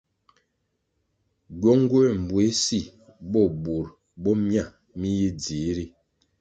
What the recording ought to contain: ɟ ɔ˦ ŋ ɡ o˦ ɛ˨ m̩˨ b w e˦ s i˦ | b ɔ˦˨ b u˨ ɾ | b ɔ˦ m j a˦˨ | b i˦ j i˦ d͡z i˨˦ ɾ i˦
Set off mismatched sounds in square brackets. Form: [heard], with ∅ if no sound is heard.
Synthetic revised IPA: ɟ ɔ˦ ŋ ɡ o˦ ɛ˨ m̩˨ b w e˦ s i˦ | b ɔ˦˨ b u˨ ɾ | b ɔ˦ m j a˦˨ | [m] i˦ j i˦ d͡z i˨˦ ɾ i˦